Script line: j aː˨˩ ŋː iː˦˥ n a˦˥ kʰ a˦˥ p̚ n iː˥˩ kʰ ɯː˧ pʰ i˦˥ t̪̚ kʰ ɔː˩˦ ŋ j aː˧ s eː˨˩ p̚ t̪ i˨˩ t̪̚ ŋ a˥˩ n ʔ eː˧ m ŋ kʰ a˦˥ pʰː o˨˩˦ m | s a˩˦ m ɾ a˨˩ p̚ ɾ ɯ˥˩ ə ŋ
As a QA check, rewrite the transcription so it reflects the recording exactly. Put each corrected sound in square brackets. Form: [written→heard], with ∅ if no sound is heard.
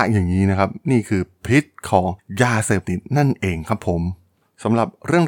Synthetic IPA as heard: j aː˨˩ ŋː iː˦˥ n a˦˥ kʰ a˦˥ p̚ n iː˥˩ kʰ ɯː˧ pʰ i˦˥ t̪̚ kʰ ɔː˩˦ ŋ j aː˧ s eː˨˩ p̚ t̪ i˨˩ t̪̚ [ŋ→n] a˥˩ n ʔ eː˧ [m→∅] ŋ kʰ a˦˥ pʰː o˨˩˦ m | s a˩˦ m ɾ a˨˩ p̚ ɾ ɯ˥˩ ə ŋ